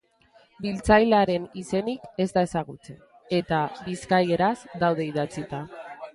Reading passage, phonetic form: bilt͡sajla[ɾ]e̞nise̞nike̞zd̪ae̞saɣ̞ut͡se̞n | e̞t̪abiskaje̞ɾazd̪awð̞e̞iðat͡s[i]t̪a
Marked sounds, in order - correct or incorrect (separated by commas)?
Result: correct, correct